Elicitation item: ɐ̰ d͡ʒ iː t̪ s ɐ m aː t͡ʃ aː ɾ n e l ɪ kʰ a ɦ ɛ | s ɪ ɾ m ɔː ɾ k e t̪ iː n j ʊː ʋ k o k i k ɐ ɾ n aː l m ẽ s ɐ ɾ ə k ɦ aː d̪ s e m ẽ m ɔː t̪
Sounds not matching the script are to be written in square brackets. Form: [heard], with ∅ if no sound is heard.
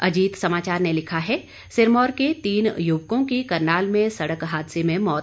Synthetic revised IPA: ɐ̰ d͡ʒ iː t̪ s ɐ m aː t͡ʃ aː ɾ n e l ɪ kʰ a ɦ ɛ | s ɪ ɾ m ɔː ɾ k e t̪ iː n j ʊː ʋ k [õ] k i k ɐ ɾ n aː l m ẽ s ɐ [ɽ] ə k ɦ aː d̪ s e m ẽ m ɔː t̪